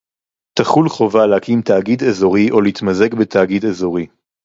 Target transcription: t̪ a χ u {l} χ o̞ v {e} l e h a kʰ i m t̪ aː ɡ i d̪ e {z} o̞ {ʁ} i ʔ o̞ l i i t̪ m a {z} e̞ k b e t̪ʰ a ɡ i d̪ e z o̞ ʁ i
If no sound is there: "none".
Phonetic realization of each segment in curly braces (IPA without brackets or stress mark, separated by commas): l, a, z, ʁ, z